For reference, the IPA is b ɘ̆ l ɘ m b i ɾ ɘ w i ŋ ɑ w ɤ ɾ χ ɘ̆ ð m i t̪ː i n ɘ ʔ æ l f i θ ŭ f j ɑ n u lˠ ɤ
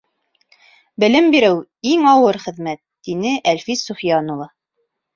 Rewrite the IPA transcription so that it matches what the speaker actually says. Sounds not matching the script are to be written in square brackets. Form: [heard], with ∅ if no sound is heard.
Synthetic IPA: b ɘ̆ l ɘ m b i ɾ ɘ w i ŋ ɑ w ɤ ɾ χ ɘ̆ ð m [æ] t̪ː i n ɘ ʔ æ l f i [s] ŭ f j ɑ n u lˠ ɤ